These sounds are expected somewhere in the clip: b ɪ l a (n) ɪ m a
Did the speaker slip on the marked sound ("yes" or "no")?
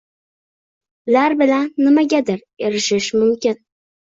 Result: yes